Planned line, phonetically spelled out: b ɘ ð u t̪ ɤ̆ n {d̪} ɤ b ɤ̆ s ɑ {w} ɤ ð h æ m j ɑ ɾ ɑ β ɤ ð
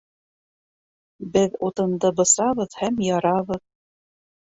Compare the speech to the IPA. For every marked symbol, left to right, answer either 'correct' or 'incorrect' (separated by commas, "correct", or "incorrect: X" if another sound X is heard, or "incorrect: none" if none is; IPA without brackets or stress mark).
correct, incorrect: β